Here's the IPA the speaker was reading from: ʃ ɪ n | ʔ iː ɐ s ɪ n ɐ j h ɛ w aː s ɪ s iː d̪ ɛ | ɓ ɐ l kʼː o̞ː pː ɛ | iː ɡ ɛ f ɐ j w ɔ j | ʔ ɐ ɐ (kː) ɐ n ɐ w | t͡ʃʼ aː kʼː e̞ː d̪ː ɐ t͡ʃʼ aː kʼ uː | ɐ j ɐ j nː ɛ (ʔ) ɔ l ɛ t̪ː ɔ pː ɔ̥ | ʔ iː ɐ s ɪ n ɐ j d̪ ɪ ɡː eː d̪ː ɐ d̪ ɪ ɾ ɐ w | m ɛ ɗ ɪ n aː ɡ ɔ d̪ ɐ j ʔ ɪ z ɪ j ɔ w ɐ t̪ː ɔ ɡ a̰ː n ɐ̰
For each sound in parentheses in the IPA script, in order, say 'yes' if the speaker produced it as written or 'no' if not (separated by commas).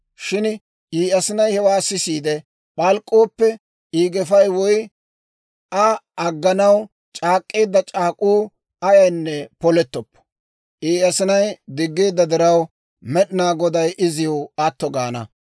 no, no